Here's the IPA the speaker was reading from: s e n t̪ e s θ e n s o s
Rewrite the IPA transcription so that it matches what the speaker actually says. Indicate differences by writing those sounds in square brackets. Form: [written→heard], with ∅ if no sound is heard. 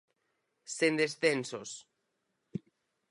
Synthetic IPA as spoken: s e n [t̪→d̪] e s θ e n s o s

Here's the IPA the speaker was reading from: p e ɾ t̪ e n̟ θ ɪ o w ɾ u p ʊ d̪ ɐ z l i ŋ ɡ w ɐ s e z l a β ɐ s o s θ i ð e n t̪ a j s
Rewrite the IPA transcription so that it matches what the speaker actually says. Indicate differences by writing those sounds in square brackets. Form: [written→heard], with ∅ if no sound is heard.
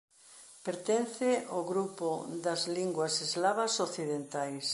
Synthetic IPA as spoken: p e ɾ t̪ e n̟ θ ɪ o [w→ɣ] ɾ u p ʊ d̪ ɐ z l i ŋ ɡ w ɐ s e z l a β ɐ s o [s→∅] θ i ð e n t̪ a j s

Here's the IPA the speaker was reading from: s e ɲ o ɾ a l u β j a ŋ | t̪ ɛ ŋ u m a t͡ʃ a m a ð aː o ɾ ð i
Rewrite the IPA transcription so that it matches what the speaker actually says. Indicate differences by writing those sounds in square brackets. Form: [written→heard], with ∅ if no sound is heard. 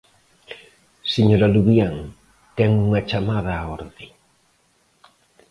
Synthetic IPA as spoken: s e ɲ o ɾ a l u β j a ŋ | t̪ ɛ ŋ u [m→ŋ] a t͡ʃ a m a ð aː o ɾ ð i

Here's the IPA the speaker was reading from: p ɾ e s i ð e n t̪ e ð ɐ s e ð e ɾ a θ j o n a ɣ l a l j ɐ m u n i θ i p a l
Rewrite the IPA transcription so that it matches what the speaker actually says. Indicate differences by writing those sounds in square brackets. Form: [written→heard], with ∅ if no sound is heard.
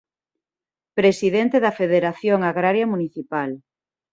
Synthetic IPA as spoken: p ɾ e s i ð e n t̪ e ð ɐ [s→f] e ð e ɾ a θ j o [n→ŋ] a ɣ [l→ɾ] a [l→ɾ] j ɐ m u n i θ i p a l

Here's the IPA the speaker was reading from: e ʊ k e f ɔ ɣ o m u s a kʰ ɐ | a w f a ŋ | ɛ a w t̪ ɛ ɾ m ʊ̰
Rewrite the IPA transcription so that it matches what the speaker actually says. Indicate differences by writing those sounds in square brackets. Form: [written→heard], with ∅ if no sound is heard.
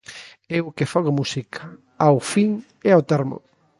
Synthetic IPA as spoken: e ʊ k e f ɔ ɣ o m u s [a→i] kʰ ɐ | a w f [a→i] ŋ | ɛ a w t̪ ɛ ɾ m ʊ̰

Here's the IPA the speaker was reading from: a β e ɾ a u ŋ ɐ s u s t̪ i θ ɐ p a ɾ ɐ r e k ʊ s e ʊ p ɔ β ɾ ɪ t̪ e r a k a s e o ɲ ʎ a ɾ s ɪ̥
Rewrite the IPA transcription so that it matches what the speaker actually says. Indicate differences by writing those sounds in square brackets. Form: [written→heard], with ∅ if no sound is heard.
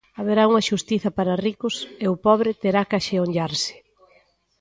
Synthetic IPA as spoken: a β e ɾ a u ŋ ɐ [s→ʃ] u s t̪ i θ ɐ p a ɾ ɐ r [e→i] k ʊ s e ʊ p ɔ β ɾ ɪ t̪ e [r→ɾ] a k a [s→ʃ] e o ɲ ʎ a ɾ s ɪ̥

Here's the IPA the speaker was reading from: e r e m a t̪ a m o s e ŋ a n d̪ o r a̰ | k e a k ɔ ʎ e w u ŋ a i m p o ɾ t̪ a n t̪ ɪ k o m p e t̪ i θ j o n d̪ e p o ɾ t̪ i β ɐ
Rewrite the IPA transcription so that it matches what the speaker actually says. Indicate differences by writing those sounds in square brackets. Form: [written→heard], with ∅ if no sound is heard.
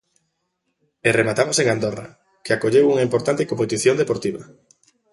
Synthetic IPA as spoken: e r e m a t̪ a m o s e ŋ a n d̪ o r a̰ | k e a k [ɔ→o] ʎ e w u ŋ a i m p o ɾ t̪ a n t̪ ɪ k o m p e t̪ i θ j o n d̪ e p o ɾ t̪ i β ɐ

